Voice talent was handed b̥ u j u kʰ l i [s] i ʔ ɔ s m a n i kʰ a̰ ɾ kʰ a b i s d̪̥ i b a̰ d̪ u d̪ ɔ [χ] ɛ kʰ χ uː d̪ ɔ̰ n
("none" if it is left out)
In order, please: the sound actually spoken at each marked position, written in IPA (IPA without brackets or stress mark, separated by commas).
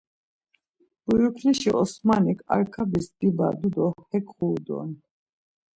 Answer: ʃ, h